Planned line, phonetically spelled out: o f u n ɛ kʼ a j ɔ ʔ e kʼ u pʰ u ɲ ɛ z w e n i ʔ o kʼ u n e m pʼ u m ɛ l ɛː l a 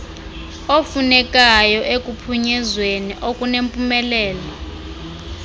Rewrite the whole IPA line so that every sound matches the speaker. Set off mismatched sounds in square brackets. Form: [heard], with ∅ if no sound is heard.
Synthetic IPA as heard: o f u n ɛ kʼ a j ɔ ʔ e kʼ u pʰ u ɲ ɛ z w e n i ʔ o kʼ u n e m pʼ u m ɛ l ɛː l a

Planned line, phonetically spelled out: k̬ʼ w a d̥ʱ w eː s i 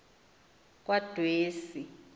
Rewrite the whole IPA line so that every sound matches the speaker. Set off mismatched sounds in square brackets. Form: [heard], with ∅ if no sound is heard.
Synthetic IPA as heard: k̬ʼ w a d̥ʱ w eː s i

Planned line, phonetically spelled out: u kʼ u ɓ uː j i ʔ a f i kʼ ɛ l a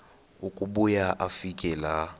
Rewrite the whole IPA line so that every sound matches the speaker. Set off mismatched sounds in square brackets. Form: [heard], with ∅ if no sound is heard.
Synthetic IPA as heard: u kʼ u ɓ [u] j [a] ʔ a f i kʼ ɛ l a

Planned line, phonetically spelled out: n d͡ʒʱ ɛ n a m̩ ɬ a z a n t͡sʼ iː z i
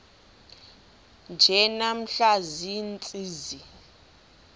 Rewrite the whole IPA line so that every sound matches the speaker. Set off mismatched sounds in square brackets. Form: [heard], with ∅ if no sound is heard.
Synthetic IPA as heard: n d͡ʒʱ ɛ n a m̩ ɬ a z [i] n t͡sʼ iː z i

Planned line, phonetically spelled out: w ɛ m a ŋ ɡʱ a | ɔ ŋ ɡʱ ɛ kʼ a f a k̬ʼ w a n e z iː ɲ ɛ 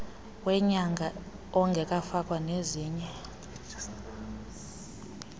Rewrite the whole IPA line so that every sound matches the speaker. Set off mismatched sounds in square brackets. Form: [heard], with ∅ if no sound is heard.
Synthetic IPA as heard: w ɛ [ɲ] a ŋ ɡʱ a | ɔ ŋ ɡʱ ɛ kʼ a f a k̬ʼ w a n e z iː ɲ ɛ

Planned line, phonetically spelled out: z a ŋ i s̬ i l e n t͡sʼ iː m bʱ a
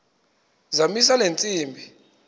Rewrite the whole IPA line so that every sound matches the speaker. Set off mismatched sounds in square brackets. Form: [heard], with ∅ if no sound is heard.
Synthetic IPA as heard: z a [m] i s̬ [a] l e n t͡sʼ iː m bʱ [i]

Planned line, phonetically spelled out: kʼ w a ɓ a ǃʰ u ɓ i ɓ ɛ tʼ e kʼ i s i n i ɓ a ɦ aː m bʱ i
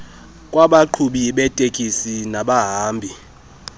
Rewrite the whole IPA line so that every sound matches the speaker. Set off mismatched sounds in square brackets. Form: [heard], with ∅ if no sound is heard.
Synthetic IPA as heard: kʼ w a ɓ a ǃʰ u ɓ i ɓ ɛ tʼ e kʼ i s i n [a] ɓ a ɦ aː m bʱ i

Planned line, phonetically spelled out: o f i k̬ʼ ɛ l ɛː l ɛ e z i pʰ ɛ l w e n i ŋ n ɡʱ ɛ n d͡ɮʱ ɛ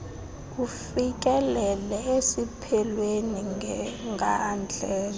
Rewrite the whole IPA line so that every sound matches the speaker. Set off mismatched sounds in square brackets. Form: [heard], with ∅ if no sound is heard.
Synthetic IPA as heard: [u] f i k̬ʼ ɛ l [ɛ] l ɛ e [s] i pʰ ɛ l w e n i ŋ [ŋ] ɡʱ [a] n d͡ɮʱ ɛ

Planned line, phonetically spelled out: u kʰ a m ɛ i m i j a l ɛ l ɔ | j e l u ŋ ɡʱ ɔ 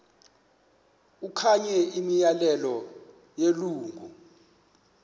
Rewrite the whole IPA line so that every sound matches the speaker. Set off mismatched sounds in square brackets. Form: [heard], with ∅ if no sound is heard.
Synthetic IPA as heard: u kʰ a [ɲ] ɛ i m i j a l ɛ l ɔ | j e l [uː] ŋ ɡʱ [u]

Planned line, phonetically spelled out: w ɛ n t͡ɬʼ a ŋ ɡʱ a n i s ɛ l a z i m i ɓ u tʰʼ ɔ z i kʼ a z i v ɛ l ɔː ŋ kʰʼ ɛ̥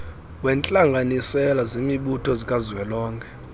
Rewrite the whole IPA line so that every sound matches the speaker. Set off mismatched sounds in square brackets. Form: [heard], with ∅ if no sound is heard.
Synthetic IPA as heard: w ɛ n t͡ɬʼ a ŋ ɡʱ a n i s ɛ l a z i m i ɓ u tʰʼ ɔ z i kʼ a z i [w] ɛ l ɔː ŋ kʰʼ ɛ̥

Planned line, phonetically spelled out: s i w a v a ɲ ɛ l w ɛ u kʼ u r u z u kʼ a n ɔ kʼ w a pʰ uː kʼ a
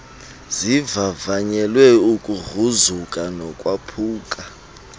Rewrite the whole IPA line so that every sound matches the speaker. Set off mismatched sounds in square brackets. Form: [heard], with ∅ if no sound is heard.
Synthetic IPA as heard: [z] i [v] a v a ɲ ɛ l w ɛ u kʼ u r u z u kʼ a n ɔ kʼ w a pʰ uː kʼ a

